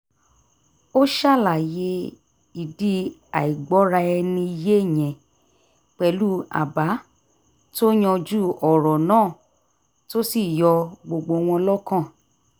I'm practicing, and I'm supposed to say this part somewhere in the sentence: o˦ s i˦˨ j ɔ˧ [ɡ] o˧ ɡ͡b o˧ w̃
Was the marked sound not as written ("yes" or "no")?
yes